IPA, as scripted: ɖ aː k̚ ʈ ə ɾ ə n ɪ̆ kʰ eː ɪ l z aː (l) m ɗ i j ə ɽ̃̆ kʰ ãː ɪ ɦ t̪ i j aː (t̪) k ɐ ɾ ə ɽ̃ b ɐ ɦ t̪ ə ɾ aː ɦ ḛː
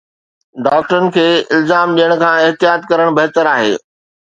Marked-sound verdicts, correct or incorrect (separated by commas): incorrect, correct